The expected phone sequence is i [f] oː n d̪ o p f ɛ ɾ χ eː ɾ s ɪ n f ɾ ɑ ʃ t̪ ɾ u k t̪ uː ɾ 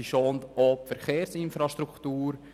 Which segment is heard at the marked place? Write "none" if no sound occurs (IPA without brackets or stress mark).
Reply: ʃ